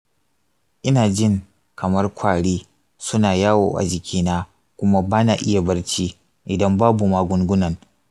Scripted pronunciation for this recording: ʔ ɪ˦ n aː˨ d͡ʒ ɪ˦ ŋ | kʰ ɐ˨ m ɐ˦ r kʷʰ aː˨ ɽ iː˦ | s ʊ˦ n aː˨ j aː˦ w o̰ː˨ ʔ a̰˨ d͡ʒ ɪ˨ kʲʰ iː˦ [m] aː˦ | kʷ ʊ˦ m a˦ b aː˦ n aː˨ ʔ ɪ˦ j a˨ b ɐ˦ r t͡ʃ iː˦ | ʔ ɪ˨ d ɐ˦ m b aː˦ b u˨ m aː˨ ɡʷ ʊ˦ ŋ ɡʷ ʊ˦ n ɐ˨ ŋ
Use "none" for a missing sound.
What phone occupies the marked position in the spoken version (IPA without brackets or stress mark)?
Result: n